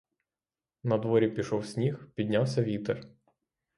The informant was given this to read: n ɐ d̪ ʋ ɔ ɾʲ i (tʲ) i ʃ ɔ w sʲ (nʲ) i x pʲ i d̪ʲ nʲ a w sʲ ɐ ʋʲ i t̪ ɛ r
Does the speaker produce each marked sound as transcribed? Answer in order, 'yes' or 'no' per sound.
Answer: no, yes

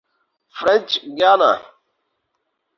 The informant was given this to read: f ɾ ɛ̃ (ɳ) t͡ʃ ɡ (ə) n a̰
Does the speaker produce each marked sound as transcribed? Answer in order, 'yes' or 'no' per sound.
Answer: no, no

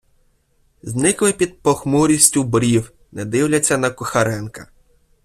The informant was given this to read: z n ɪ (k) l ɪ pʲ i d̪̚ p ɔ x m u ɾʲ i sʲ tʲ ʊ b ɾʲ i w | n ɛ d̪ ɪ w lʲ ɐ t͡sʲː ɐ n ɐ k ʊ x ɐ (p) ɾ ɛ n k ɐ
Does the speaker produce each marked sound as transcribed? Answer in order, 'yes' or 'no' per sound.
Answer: yes, no

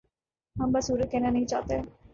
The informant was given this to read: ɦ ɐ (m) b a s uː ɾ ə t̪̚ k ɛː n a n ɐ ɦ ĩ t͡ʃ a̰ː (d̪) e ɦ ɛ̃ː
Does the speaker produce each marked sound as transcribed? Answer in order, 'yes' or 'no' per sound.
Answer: yes, no

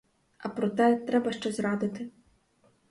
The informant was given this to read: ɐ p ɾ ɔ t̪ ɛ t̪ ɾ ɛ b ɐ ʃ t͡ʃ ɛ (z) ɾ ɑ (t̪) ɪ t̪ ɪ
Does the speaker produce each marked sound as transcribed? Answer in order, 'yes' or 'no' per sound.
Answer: yes, no

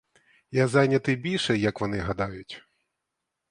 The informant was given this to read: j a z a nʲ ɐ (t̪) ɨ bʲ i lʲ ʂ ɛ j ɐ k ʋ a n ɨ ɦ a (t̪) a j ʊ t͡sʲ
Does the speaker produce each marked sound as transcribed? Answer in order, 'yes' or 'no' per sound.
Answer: yes, no

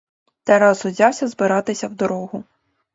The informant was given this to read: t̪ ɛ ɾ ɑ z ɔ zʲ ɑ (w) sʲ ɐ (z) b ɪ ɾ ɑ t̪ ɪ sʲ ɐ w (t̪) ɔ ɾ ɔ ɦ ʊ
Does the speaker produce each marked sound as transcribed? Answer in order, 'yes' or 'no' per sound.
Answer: yes, yes, no

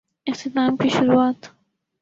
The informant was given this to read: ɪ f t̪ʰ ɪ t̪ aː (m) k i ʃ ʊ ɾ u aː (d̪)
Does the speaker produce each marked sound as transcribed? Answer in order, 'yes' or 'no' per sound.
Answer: yes, no

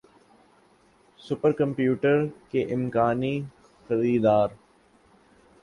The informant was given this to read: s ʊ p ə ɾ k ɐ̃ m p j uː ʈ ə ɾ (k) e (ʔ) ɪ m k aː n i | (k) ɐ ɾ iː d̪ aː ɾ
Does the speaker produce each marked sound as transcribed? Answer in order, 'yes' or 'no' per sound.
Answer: yes, yes, no

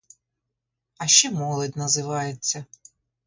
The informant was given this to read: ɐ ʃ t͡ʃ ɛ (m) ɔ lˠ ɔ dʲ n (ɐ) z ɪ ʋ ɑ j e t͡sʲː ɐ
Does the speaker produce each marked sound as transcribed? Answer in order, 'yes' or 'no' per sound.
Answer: yes, yes

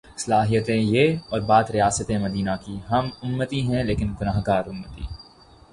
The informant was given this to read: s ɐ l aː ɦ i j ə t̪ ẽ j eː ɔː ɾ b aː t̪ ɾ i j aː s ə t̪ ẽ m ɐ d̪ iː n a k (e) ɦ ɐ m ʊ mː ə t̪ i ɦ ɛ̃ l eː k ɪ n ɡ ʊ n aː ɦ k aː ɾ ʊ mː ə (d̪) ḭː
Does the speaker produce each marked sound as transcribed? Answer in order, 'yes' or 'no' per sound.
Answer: no, no

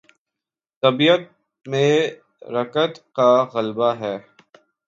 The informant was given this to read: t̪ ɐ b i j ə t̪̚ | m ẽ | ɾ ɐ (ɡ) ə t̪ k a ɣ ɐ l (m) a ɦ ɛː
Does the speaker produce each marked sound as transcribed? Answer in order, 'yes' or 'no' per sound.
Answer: no, no

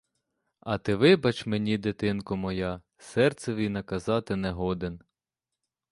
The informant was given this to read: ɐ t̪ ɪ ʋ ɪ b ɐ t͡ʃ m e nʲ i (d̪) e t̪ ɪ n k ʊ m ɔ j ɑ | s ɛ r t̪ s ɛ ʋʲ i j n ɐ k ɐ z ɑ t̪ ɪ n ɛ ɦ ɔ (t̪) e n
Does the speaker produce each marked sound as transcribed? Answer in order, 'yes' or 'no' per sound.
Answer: yes, no

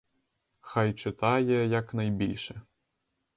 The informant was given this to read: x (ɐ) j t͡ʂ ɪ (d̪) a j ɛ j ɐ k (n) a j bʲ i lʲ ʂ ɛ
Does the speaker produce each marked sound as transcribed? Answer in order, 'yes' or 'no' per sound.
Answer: no, no, yes

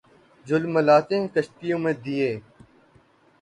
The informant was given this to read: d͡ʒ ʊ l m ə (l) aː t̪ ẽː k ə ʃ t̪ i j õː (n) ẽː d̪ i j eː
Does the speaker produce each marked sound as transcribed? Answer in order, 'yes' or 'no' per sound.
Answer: yes, no

